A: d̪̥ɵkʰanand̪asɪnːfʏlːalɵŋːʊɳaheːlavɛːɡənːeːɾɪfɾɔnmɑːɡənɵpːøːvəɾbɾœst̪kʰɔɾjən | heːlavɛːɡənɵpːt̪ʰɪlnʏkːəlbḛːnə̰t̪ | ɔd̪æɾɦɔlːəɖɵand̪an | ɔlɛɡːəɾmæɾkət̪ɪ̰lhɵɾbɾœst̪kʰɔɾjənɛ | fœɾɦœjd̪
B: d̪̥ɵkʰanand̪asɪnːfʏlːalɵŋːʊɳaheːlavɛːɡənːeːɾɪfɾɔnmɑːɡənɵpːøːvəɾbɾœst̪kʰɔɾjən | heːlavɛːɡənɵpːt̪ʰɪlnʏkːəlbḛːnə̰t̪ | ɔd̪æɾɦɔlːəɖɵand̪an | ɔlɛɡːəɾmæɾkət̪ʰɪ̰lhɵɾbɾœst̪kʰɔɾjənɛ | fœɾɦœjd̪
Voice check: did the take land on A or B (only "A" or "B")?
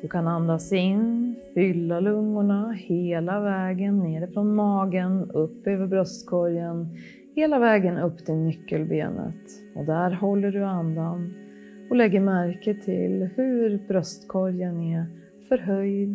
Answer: B